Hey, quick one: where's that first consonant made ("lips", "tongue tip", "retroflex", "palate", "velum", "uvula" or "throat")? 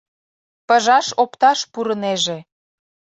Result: lips